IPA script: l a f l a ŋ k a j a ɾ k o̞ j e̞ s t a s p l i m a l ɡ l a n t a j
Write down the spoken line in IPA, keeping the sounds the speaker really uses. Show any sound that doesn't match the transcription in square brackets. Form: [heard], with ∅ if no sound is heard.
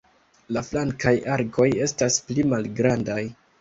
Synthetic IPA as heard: l a f l a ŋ k a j a ɾ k o̞ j e̞ s t a s p l i m a l ɡ [ɾ] a n [d] a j